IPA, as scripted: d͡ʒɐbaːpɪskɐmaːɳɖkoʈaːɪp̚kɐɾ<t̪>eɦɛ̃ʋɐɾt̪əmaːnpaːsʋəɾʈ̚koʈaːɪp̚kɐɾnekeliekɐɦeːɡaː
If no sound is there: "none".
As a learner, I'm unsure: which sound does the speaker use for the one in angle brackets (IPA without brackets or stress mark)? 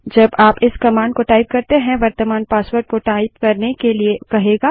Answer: t̪